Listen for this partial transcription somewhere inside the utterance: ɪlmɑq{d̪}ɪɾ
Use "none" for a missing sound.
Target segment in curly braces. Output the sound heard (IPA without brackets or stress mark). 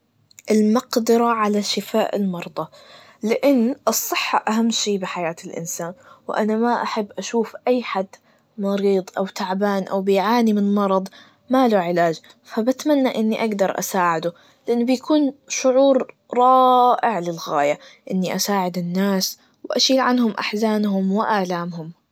d̪